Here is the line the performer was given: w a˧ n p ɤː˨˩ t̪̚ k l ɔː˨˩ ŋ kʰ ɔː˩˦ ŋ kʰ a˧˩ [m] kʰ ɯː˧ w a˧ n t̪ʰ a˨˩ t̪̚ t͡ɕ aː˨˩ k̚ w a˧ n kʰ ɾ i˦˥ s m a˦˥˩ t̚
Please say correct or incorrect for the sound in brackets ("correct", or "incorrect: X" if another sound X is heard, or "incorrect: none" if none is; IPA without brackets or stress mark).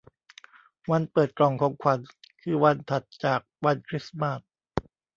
incorrect: n